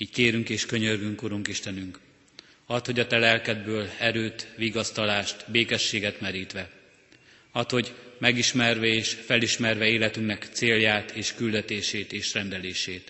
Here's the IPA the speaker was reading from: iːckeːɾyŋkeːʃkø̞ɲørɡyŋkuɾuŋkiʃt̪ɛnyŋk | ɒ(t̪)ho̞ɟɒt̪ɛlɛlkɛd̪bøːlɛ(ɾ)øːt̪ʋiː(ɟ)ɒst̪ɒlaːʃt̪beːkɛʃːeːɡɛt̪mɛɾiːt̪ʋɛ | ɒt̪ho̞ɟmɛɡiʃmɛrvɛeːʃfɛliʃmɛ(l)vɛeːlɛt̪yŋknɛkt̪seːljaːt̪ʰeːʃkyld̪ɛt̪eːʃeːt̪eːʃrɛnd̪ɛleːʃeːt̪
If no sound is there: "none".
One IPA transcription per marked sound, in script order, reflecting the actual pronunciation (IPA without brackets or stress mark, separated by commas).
t̪, ɾ, ɡ, r